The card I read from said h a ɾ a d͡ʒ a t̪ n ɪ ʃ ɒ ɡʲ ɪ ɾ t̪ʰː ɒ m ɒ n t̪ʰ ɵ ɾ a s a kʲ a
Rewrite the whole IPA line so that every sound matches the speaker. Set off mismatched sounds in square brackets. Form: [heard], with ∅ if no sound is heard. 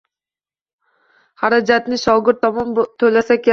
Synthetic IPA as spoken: h a ɾ a d͡ʒ a t̪ n ɪ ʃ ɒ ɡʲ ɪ ɾ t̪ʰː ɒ m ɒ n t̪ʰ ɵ [l] a s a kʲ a